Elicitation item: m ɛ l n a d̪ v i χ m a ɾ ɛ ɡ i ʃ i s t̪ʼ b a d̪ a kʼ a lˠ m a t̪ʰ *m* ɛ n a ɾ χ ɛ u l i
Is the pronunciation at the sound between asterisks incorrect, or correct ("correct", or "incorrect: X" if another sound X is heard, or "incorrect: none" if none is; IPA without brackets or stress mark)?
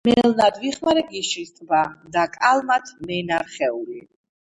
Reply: correct